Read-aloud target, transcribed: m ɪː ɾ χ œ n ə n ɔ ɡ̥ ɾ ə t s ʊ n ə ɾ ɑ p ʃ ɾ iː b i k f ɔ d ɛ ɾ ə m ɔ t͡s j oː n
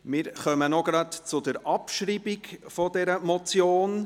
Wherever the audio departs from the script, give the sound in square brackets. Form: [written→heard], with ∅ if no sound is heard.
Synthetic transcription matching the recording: m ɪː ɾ χ œ [n→m] ə n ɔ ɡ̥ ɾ [ə→ɑ] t [s→t͡s] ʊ [n→d] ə ɾ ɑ p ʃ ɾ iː b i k f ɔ d ɛ ɾ ə m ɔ t͡s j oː n